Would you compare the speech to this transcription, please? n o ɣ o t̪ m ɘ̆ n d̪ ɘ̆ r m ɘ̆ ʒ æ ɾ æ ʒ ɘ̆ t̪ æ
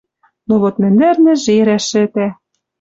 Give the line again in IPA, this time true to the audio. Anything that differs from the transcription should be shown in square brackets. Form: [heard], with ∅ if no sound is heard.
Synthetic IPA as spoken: n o ɣ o t̪ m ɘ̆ n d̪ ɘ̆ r [n] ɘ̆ ʒ [e] ɾ æ [ʃ] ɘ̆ t̪ æ